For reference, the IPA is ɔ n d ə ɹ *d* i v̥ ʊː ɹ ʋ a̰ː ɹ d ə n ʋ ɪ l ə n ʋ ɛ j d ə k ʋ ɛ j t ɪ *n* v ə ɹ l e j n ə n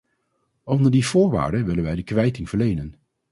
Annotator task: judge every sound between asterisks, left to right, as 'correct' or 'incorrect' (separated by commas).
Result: correct, incorrect